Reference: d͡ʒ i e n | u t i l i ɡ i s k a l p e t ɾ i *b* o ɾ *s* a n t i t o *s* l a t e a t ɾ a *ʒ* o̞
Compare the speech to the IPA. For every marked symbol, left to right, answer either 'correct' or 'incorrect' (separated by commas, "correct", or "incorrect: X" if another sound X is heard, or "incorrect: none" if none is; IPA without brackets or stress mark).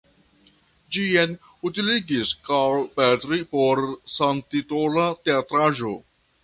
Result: incorrect: p, correct, incorrect: none, correct